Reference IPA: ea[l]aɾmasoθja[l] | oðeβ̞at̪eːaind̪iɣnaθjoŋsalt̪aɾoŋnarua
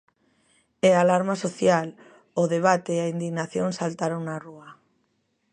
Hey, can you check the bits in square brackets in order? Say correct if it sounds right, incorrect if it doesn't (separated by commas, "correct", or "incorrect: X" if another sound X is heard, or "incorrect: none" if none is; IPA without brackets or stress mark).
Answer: correct, correct